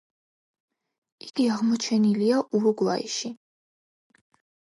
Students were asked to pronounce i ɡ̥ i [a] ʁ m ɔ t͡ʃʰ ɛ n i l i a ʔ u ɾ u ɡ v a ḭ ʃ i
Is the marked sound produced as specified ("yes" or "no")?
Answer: yes